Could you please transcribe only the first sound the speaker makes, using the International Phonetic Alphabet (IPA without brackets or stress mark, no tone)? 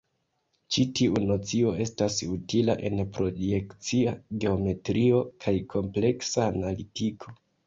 t͡ʃ